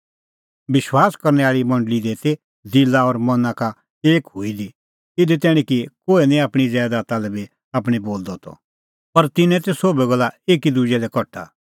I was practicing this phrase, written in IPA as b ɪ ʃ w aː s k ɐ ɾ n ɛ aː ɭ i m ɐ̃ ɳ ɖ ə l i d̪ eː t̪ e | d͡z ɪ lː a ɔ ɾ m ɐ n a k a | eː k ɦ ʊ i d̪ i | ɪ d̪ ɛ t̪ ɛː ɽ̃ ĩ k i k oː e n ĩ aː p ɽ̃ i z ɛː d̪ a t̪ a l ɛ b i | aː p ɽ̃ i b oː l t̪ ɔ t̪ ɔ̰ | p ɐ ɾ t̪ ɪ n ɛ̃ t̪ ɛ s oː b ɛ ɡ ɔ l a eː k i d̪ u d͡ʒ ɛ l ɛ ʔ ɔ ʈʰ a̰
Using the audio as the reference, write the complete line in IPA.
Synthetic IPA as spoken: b ɪ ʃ w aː s k ɐ ɾ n ɛ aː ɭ i m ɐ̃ ɳ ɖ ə l i d̪ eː t̪ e | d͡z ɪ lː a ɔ ɾ m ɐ n a k a | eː k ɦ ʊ i d̪ i | ɪ d̪ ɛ t̪ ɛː ɽ̃ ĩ k i k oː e n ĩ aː p ɽ̃ i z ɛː d̪ a t̪ a l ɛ b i | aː p ɽ̃ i b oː l d̪ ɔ t̪ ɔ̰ | p ɐ ɾ t̪ ɪ n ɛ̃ t̪ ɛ s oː b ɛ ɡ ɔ l a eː k i d̪ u d͡ʒ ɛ l ɛ k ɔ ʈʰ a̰